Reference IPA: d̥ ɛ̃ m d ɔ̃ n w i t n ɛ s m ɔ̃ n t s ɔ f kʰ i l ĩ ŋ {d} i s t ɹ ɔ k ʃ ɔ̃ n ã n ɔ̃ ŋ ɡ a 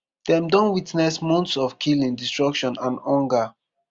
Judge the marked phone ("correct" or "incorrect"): correct